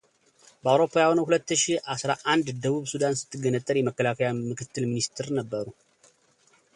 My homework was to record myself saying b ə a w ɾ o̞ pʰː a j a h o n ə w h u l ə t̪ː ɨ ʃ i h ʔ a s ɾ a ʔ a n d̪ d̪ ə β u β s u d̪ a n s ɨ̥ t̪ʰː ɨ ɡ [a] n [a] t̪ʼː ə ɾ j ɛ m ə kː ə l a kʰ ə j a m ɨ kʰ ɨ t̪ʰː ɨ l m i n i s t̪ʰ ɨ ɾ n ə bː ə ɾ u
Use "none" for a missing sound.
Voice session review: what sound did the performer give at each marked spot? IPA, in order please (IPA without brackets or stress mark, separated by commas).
ə, ə